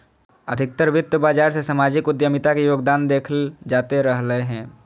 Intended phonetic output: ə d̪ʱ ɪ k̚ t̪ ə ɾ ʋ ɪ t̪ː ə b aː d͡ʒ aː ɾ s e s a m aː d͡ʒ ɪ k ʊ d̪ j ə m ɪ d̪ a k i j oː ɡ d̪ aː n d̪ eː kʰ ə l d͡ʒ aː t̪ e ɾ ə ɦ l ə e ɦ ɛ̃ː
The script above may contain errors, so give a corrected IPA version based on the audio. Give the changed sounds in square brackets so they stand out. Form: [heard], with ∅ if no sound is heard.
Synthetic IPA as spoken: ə d̪ʱ ɪ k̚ t̪ ə ɾ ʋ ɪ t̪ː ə b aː d͡ʒ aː ɾ s e s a m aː d͡ʒ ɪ k ʊ d̪ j ə m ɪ [t̪] a k i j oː ɡ d̪ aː n d̪ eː kʰ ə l d͡ʒ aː t̪ e ɾ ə ɦ l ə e ɦ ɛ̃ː